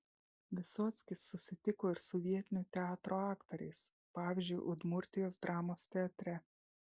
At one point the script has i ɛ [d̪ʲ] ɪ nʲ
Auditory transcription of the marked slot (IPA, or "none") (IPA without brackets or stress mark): t̪ʲ